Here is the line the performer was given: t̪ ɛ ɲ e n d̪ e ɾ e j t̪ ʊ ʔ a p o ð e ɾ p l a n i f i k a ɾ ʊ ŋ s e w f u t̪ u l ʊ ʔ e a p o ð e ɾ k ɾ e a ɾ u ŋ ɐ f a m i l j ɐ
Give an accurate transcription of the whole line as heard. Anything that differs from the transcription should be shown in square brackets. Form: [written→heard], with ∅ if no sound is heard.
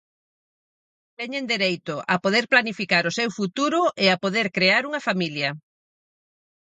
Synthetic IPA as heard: t̪ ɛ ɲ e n d̪ e ɾ e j t̪ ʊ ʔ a p o ð e ɾ p l a n i f i k a ɾ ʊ [ŋ→∅] s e w f u t̪ u [l→ɾ] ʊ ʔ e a p o ð e ɾ k ɾ e a ɾ u ŋ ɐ f a m i l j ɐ